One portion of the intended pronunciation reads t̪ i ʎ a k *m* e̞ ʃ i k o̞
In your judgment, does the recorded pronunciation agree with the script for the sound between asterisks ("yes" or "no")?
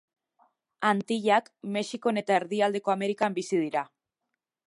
yes